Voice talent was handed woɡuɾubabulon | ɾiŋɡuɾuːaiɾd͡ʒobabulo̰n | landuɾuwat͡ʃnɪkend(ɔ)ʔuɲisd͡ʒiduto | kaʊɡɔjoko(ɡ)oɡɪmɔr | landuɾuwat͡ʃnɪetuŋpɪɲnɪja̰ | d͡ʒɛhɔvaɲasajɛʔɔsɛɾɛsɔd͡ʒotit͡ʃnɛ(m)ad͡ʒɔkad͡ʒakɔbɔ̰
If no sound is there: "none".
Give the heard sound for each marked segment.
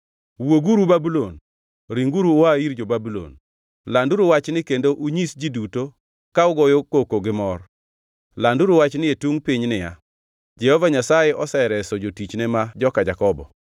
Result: o, k, m

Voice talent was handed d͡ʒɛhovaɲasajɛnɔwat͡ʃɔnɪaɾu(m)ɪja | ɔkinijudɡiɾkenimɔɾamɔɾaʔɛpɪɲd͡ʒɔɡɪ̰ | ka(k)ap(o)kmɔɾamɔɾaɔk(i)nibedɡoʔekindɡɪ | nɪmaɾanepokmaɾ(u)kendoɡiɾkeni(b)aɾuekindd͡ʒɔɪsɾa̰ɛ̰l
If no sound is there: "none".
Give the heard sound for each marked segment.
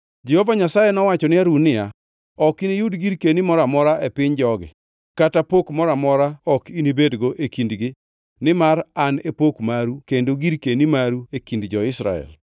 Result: n, t, o, i, u, m

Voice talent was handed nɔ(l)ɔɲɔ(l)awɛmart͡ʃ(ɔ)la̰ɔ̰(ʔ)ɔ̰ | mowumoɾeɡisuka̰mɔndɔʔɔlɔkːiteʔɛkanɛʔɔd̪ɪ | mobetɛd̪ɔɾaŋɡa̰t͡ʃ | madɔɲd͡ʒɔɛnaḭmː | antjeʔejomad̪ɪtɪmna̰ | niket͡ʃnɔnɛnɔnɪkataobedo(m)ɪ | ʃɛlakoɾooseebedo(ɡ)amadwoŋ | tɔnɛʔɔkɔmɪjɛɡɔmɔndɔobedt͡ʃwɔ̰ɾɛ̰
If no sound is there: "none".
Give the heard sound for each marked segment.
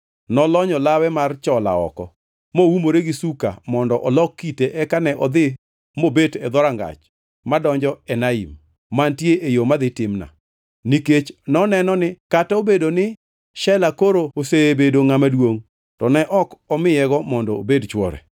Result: l, l, ɔ, k, n, ŋ

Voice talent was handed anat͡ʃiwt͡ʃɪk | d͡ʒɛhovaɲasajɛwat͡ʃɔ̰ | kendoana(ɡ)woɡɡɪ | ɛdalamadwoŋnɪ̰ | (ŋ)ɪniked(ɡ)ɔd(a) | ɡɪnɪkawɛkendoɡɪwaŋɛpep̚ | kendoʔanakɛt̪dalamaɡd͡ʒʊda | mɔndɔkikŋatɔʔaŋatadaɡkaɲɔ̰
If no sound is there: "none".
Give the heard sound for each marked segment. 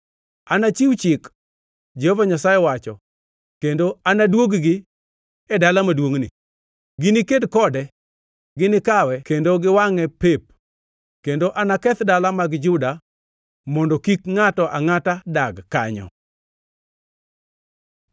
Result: d, ɡ, k, ɛ

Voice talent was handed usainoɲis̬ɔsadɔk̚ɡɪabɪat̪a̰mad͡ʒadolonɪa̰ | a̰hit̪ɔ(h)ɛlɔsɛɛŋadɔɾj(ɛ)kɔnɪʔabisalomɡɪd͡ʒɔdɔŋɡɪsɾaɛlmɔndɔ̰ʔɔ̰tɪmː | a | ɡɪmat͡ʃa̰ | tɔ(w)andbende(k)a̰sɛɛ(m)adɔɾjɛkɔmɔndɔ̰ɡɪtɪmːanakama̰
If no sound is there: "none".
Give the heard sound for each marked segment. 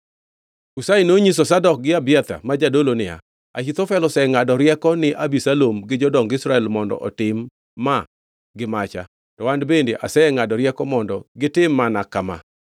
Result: f, ɛ, w, ʔ, ŋ

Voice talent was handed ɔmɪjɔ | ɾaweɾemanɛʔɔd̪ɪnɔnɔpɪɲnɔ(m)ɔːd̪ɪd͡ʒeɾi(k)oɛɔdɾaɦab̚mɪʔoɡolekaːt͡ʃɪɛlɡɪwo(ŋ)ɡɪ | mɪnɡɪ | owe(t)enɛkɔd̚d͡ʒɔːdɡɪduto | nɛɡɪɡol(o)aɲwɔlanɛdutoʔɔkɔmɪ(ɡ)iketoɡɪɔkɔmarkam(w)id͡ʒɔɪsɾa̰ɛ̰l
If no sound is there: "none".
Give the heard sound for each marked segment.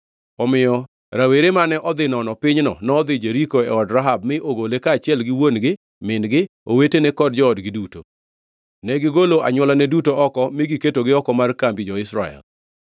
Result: n, k, n, t, o, ɡ, b

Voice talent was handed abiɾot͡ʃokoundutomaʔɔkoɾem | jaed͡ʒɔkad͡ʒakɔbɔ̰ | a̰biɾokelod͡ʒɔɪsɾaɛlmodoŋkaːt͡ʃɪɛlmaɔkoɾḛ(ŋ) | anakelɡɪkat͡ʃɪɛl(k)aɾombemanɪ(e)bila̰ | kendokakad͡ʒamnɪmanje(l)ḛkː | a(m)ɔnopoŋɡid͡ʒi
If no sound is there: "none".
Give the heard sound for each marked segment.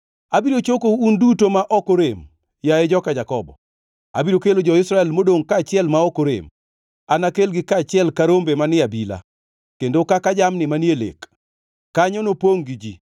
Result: m, k, a, l, ɲ

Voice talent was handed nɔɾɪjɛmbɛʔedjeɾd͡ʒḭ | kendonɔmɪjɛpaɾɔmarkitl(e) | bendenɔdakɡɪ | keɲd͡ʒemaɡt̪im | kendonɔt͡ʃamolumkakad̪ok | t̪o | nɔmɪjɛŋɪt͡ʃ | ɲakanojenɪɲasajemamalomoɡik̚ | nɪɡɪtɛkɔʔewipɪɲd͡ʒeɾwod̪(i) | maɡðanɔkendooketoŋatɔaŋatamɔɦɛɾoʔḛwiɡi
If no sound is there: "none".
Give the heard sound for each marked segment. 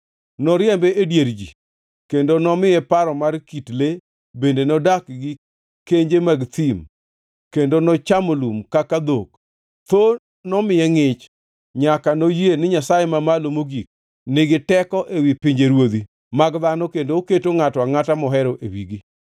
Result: e, i

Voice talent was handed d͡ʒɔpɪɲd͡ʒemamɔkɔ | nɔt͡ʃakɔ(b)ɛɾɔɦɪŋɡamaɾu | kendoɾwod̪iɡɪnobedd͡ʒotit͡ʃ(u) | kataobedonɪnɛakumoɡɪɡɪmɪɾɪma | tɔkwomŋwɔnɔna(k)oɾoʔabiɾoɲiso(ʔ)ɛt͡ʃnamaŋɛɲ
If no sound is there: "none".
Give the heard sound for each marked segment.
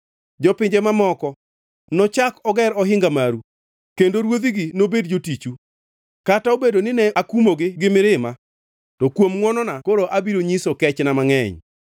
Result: ɡ, u, k, k

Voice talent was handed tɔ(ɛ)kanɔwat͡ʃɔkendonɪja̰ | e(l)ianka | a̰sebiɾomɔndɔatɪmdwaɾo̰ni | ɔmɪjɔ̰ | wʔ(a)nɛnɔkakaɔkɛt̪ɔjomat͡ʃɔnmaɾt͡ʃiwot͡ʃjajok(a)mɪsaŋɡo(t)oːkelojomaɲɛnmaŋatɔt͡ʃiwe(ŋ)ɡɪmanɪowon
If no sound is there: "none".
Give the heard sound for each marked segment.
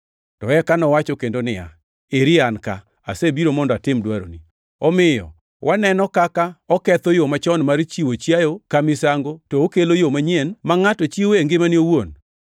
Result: ɛ, ɾ, a, a, t, ŋ

